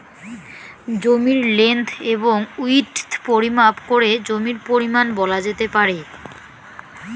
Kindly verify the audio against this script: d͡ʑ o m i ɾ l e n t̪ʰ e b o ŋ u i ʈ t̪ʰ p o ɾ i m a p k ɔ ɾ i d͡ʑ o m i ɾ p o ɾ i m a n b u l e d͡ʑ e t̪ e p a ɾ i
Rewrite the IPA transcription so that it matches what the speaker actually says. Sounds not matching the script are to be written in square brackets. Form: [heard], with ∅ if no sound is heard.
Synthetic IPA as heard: d͡ʑ o m i ɾ l e n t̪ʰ e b o ŋ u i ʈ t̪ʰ p o ɾ i m a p k [o] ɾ [e] d͡ʑ o m i ɾ p o ɾ i m a n b [ɔ] l [a] d͡ʑ e t̪ e p a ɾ [e]